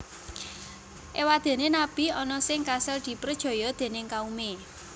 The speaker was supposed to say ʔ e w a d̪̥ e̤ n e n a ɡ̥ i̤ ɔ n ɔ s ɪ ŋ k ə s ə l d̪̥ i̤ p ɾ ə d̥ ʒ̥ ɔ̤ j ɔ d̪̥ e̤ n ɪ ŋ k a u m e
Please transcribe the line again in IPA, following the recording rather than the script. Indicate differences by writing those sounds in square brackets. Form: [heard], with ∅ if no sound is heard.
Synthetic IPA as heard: ʔ e w a d̪̥ e̤ n e n a [b̥] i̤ ɔ n ɔ s ɪ ŋ k [a] s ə l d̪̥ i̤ p ɾ ə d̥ ʒ̥ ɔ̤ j ɔ d̪̥ e̤ n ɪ ŋ k a u m e